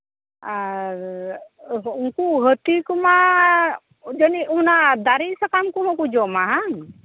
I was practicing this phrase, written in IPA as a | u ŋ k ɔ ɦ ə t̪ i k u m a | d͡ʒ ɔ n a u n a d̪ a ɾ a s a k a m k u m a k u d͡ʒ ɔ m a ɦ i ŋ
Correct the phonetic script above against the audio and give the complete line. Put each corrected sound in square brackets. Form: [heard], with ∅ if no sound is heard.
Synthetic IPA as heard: a | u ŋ k [u] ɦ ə t̪ i k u m a | d͡ʒ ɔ n [i] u n a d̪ a ɾ [i] s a k a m k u m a k u d͡ʒ ɔ m a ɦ [a] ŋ

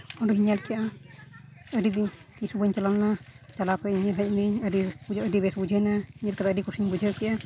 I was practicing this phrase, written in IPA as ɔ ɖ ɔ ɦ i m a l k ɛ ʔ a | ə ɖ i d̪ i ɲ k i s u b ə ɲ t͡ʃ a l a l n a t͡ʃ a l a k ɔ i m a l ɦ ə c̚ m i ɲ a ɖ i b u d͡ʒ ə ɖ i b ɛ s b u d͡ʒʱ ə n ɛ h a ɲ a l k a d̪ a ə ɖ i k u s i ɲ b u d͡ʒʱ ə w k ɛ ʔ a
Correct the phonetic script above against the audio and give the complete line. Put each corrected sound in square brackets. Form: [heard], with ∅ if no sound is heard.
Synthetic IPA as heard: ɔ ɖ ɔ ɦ i [ɲ] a l k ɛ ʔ a | ə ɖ i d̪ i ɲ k i s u b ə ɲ t͡ʃ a l a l n a t͡ʃ a l a k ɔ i [ɲ] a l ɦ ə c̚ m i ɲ [ə] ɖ i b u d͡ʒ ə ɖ i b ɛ s b u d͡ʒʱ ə n [a] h [i] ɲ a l k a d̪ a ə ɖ i k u s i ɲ b u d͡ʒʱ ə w k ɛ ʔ a

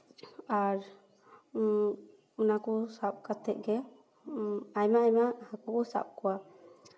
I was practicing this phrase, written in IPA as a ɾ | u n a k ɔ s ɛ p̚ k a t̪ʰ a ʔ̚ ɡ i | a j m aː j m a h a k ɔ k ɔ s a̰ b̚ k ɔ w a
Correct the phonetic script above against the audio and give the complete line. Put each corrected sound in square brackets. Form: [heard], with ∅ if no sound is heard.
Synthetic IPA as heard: a ɾ | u n a k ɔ s [a] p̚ k a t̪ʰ [ɛ] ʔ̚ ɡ [ɛ] | a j m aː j m a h a k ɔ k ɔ s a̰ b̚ k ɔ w a

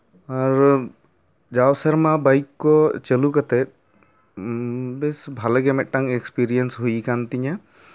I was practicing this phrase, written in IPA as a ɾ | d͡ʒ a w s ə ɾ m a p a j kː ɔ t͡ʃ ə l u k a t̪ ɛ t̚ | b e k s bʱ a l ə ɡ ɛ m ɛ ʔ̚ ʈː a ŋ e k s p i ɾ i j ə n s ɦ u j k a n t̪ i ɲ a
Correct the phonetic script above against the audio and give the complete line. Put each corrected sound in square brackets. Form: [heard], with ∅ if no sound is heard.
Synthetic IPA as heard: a ɾ | d͡ʒ a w s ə ɾ m a [b] a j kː ɔ t͡ʃ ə l u k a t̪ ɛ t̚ | b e [∅] s bʱ a l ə ɡ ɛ m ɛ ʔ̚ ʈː a ŋ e k s p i ɾ i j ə n s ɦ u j k a n t̪ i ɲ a

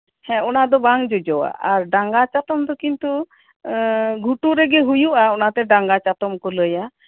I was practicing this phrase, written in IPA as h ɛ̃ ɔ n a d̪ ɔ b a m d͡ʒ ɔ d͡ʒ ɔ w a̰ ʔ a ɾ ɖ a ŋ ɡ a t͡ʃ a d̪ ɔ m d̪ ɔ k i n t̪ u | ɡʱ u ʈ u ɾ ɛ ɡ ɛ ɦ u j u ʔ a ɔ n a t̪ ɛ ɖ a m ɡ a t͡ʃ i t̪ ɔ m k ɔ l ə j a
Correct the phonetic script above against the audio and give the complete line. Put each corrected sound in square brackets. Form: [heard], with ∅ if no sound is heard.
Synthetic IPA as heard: h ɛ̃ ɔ n a d̪ ɔ b a [ŋ] d͡ʒ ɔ d͡ʒ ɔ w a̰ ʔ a ɾ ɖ a ŋ ɡ a t͡ʃ a [t̪] ɔ m d̪ ɔ k i n t̪ u | ɡʱ u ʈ u ɾ ɛ ɡ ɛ ɦ u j u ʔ a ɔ n a t̪ ɛ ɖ a [ŋ] ɡ a t͡ʃ [a] t̪ ɔ m k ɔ l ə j a

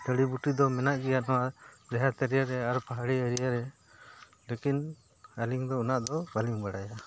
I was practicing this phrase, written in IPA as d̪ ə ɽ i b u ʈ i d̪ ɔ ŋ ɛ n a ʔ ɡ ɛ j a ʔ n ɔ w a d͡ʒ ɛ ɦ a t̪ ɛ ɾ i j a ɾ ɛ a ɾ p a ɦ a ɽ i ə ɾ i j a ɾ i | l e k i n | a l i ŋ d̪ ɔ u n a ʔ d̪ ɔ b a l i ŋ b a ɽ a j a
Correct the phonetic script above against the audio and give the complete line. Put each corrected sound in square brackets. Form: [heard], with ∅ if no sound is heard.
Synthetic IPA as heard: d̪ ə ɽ i b u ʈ i d̪ ɔ [m] ɛ n a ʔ ɡ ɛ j a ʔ n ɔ w a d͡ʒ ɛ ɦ a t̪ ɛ ɾ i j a ɾ ɛ a ɾ p a ɦ a ɽ i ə ɾ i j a ɾ [ɛ] | l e k i n | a l i ŋ d̪ ɔ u n a ʔ d̪ ɔ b a l i ŋ b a ɽ a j a

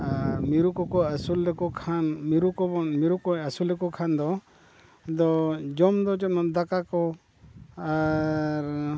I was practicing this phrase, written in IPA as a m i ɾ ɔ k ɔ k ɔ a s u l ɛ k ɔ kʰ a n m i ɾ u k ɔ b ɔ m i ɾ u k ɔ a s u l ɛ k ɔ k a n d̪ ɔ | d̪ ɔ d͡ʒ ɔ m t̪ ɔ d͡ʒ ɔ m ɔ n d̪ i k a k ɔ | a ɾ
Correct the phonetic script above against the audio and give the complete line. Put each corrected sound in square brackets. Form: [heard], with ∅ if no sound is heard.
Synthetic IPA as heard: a m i ɾ [u] k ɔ k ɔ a s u l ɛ k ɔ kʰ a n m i ɾ u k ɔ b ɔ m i ɾ u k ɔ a s u l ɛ k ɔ [kʰ] a n d̪ ɔ | d̪ ɔ d͡ʒ ɔ m [d̪] ɔ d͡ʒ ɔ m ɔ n d̪ [a] k a k ɔ | a ɾ

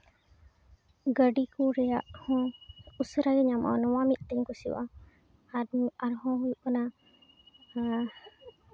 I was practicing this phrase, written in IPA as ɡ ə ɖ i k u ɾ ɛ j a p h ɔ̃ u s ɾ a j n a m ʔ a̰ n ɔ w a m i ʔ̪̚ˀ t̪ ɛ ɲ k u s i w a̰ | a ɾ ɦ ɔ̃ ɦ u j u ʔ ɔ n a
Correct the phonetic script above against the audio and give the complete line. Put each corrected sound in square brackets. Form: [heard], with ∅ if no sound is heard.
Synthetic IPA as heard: ɡ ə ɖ i k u ɾ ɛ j a [ʔ] h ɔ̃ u s ɾ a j [ɲ] a m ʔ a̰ n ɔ w a m i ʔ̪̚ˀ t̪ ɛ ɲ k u s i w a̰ | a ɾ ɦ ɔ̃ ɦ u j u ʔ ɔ n a

